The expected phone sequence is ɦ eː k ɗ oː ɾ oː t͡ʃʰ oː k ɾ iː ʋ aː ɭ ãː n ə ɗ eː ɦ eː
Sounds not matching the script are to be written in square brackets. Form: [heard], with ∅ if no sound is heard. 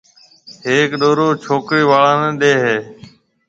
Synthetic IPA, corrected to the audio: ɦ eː k ɗ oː ɾ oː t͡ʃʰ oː k ɾ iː ʋ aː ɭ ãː n ə ɗ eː ɦ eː